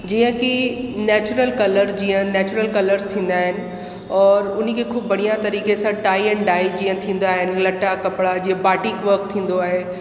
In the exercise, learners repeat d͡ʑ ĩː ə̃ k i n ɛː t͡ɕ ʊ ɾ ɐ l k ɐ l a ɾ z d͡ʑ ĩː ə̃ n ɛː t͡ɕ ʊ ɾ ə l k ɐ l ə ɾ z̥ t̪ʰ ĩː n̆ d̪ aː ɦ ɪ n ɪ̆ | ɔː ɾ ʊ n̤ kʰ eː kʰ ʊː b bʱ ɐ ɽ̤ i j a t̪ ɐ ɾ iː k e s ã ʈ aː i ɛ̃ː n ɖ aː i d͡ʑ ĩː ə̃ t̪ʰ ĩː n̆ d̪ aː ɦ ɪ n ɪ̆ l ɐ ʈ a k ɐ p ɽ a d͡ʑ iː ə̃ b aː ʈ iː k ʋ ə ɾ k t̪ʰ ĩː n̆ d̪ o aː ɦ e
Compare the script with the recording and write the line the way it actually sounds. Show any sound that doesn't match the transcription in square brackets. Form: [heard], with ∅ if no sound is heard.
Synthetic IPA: d͡ʑ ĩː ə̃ k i n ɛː t͡ɕ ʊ ɾ [ə] l k ɐ l [ə] ɾ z d͡ʑ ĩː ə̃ n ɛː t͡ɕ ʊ ɾ ə l k ɐ l ə ɾ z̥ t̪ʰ ĩː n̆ d̪ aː ɦ ɪ n ɪ̆ | ɔː ɾ ʊ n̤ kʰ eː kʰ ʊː b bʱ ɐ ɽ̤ i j a t̪ ɐ ɾ iː k e s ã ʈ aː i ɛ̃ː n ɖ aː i d͡ʑ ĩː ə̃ t̪ʰ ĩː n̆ d̪ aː ɦ ɪ n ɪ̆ l ɐ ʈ a k ɐ p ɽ a d͡ʑ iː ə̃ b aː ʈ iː k ʋ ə ɾ k t̪ʰ ĩː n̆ d̪ o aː ɦ e